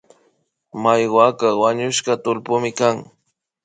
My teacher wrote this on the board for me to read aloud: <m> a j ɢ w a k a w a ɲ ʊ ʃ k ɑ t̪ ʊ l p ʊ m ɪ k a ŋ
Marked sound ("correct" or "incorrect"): correct